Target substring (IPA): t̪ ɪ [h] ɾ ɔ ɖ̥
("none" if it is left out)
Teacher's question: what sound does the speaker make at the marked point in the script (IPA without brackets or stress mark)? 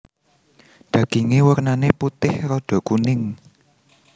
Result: h